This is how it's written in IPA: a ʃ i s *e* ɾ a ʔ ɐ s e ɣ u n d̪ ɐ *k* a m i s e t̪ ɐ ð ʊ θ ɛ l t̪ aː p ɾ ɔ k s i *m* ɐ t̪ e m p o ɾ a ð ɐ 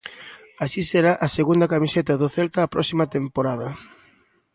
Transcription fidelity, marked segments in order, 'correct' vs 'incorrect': correct, correct, correct

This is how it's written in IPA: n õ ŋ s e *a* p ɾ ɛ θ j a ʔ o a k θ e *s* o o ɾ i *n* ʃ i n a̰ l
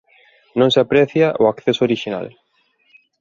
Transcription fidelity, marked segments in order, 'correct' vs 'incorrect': correct, correct, incorrect

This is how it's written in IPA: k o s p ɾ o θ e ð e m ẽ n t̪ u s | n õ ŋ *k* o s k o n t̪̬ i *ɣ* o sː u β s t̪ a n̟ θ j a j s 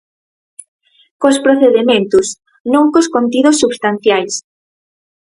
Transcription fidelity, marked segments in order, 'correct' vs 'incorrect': correct, incorrect

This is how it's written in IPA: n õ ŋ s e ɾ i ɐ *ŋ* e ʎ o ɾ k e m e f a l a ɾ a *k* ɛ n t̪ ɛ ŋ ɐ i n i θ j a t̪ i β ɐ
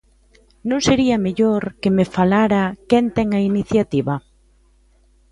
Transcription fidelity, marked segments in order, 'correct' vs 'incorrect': incorrect, correct

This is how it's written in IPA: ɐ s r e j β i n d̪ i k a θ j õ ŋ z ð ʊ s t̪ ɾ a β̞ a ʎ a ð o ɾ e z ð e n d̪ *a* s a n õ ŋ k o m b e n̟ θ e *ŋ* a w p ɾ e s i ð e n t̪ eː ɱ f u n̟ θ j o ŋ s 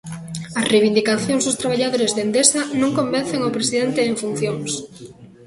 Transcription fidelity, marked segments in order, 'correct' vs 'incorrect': incorrect, correct

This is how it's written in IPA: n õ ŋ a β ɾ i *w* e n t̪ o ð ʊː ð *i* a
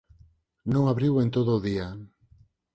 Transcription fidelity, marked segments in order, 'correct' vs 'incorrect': correct, correct

